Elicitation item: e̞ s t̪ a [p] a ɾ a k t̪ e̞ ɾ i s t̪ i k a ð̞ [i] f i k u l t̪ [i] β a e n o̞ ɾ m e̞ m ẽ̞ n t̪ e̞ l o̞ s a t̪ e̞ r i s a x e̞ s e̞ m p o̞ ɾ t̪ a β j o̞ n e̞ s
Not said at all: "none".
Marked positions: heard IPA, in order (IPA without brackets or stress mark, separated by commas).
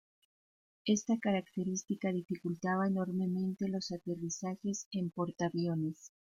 k, i, a